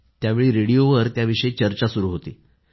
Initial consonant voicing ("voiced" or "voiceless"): voiceless